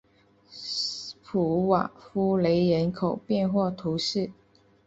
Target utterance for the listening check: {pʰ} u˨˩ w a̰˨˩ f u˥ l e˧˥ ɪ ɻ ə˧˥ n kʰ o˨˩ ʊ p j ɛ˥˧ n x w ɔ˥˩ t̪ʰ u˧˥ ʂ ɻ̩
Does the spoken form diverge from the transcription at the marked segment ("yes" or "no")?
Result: no